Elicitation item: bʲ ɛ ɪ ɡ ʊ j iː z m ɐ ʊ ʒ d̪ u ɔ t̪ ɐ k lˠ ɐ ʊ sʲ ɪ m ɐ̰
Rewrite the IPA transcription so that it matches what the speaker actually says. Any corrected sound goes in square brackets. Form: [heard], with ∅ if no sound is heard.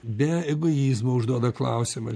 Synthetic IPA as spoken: bʲ ɛ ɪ ɡ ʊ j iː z m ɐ ʊ ʒ d̪ u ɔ [d̪] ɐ k lˠ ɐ ʊ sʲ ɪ m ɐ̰

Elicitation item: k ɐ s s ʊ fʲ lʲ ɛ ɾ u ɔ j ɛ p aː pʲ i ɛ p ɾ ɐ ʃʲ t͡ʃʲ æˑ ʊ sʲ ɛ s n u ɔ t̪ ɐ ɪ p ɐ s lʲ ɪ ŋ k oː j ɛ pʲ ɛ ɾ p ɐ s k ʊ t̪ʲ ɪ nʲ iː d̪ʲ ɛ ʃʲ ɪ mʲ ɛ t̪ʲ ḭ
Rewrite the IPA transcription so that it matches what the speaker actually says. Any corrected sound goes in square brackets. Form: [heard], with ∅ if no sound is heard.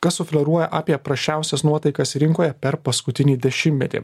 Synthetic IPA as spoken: k ɐ s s ʊ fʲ lʲ ɛ ɾ u ɔ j ɛ [ʔ] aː pʲ i ɛ p ɾ ɐ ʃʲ t͡ʃʲ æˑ ʊ sʲ ɛ s n u ɔ t̪ ɐ ɪ [k] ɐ s [ɾʲ] ɪ ŋ k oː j ɛ pʲ ɛ ɾ p ɐ s k ʊ t̪ʲ ɪ nʲ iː d̪ʲ ɛ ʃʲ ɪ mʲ ɛ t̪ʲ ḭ

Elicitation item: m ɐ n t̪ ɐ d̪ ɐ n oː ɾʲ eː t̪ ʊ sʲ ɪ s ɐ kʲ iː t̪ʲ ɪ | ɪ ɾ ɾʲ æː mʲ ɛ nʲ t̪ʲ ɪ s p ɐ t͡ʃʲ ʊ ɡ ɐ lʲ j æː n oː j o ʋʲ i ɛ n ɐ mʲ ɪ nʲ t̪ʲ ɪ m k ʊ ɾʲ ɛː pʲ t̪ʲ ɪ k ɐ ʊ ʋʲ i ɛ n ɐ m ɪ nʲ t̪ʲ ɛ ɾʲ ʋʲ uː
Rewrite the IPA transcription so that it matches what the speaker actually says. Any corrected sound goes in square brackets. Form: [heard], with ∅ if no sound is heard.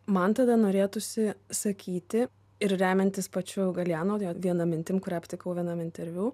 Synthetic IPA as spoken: m ɐ n t̪ ɐ d̪ ɐ n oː ɾʲ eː t̪ ʊ sʲ ɪ s ɐ kʲ iː t̪ʲ ɪ | ɪ ɾ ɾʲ æː mʲ ɛ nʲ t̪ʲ ɪ s p ɐ t͡ʃʲ ʊ ɡ ɐ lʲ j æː n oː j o ʋʲ i ɛ n ɐ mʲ ɪ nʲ t̪ʲ ɪ m k ʊ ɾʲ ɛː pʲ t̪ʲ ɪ k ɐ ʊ ʋʲ i ɛ n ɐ m ɪ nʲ t̪ʲ ɛ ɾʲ ʋʲ uː

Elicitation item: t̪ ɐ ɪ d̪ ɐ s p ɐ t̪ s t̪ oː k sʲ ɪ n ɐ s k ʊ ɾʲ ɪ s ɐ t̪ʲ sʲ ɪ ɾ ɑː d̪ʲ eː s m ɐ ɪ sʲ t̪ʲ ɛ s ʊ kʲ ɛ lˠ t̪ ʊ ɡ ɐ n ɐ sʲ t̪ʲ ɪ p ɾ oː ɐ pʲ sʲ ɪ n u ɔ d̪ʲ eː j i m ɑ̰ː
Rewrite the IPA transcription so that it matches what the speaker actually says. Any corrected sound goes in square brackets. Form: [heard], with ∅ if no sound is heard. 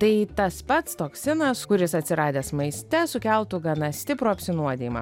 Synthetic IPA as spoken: t̪ ɐ ɪ [t̪] ɐ s p ɐ t̪ s t̪ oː k sʲ ɪ n ɐ s k ʊ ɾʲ ɪ s ɐ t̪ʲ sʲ ɪ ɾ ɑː d̪ʲ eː s m ɐ ɪ sʲ t̪ʲ ɛ s ʊ kʲ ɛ lˠ t̪ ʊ ɡ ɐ n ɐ sʲ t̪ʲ ɪ p ɾ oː ɐ pʲ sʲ ɪ n u ɔ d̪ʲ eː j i m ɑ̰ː

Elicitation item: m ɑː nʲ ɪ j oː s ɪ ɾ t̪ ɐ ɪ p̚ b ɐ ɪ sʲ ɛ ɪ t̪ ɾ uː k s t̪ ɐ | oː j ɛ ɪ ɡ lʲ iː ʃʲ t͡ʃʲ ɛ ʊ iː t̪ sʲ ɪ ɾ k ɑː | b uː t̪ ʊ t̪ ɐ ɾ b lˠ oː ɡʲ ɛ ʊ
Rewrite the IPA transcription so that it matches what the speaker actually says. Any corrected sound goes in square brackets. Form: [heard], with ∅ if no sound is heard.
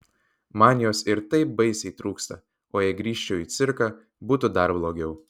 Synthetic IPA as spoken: m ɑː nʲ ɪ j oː s ɪ ɾ t̪ ɐ ɪ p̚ b ɐ ɪ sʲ ɛ ɪ t̪ ɾ uː k s t̪ ɐ | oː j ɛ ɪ ɡ [ɾʲ] iː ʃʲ t͡ʃʲ ɛ ʊ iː t̪ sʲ ɪ ɾ k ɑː | b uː t̪ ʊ [d̪] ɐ ɾ b lˠ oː ɡʲ ɛ ʊ

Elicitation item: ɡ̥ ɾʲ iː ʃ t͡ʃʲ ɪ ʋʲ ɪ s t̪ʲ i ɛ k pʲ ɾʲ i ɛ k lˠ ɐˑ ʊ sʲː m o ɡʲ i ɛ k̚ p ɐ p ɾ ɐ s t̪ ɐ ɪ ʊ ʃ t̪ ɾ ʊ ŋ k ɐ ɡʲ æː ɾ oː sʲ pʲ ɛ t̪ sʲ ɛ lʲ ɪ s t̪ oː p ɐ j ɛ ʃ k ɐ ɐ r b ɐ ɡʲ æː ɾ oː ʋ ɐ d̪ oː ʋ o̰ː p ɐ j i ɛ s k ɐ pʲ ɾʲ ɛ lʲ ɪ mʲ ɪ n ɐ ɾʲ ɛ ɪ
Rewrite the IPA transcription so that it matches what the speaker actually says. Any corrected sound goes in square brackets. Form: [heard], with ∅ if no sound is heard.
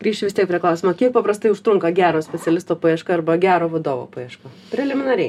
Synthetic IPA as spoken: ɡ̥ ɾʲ iː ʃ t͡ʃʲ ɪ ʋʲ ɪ s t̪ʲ i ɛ k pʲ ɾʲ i ɛ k lˠ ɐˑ ʊ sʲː m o [kʲ] i ɛ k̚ p ɐ p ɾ ɐ s t̪ ɐ ɪ ʊ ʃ t̪ ɾ ʊ ŋ k ɐ ɡʲ æː ɾ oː sʲ pʲ ɛ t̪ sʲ ɛ lʲ ɪ s t̪ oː p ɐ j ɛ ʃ k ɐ ɐ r b ɐ ɡʲ æː ɾ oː ʋ ɐ d̪ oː ʋ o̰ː p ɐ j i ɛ [ʃ] k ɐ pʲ ɾʲ ɛ lʲ ɪ mʲ ɪ n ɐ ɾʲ ɛ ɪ

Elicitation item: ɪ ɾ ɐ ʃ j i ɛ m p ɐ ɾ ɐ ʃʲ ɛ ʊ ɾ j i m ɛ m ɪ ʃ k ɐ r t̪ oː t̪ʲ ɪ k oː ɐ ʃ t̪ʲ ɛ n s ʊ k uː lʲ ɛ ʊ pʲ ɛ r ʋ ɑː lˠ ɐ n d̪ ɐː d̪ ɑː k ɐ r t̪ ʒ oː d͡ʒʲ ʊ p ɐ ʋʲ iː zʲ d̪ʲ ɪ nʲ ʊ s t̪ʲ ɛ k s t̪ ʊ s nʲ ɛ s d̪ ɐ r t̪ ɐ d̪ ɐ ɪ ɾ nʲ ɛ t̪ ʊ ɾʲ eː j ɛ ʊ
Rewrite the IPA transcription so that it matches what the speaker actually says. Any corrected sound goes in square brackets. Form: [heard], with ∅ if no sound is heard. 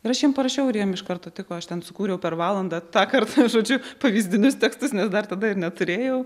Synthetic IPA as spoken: ɪ ɾ ɐ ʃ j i ɛ m p ɐ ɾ ɐ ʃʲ ɛ ʊ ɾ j i [∅] ɛ m ɪ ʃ k ɐ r t̪ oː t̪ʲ ɪ k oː ɐ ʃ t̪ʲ ɛ n s ʊ k uː [ɾʲ] ɛ ʊ pʲ ɛ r ʋ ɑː lˠ ɐ n d̪ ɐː [t̪] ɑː k ɐ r t̪ ʒ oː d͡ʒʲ ʊ p ɐ ʋʲ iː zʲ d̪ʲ ɪ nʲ ʊ s t̪ʲ ɛ k s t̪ ʊ s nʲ ɛ s d̪ ɐ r t̪ ɐ d̪ ɐ ɪ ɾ nʲ ɛ t̪ ʊ ɾʲ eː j ɛ ʊ

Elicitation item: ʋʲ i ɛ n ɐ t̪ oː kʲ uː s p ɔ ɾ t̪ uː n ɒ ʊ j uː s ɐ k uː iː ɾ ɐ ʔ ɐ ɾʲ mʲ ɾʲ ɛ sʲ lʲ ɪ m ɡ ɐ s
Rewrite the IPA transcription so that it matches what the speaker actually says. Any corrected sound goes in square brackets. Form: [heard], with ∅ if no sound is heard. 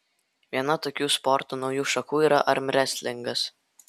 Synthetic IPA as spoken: ʋʲ i ɛ n ɐ t̪ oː kʲ uː s p ɔ ɾ t̪ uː n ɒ ʊ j uː [ʃ] ɐ k uː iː ɾ ɐ ʔ ɐ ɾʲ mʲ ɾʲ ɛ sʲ lʲ ɪ [ŋ] ɡ ɐ s

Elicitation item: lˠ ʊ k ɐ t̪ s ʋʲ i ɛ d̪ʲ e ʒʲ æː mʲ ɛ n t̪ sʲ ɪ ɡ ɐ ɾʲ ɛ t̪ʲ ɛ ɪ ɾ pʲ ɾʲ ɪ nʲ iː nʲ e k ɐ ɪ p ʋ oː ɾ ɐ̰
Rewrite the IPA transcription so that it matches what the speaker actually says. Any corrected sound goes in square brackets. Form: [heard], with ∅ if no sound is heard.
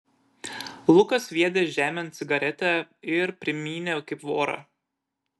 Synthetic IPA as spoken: lˠ ʊ k ɐ [∅] s ʋʲ i ɛ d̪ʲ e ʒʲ æː mʲ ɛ n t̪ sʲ ɪ ɡ ɐ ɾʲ ɛ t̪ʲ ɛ ɪ ɾ pʲ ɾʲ ɪ [mʲ] iː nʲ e k ɐ ɪ p ʋ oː ɾ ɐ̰

